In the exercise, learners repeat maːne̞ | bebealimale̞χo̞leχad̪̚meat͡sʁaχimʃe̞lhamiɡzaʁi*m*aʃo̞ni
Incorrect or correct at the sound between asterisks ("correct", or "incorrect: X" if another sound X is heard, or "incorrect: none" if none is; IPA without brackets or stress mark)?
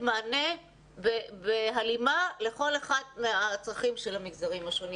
correct